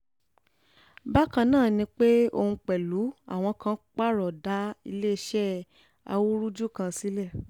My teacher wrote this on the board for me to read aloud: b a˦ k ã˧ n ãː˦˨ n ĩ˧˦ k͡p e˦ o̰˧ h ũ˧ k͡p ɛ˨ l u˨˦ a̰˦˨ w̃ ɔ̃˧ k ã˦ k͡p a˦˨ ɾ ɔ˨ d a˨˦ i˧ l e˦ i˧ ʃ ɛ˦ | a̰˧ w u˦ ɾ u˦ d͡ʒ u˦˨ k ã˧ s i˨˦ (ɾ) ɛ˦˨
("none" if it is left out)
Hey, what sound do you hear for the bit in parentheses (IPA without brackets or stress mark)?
l